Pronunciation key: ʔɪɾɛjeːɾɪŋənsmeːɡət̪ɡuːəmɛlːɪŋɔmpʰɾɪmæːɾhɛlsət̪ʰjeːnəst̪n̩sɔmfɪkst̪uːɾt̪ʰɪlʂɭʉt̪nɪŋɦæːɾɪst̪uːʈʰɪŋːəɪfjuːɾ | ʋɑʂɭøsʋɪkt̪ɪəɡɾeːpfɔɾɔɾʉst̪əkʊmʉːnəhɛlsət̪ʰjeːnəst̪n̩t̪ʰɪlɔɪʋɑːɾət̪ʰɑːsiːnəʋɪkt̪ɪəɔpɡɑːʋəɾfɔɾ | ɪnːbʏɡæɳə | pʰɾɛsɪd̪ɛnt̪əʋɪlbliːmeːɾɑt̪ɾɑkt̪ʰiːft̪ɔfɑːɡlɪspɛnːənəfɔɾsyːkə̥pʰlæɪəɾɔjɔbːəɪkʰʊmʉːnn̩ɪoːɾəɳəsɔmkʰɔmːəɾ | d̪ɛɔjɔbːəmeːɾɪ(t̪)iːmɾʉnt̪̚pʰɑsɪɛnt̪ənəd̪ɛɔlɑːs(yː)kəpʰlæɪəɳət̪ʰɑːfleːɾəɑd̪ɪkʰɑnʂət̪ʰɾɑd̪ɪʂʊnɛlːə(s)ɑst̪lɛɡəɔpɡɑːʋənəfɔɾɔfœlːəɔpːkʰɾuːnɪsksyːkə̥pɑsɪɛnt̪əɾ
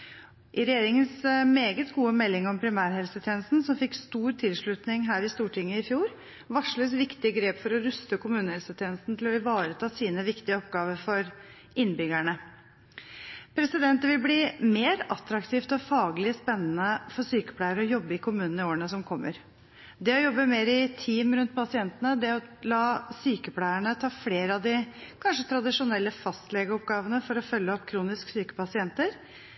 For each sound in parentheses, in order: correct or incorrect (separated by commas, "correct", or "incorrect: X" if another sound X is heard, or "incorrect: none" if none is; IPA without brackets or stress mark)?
incorrect: t̪ʰ, correct, incorrect: f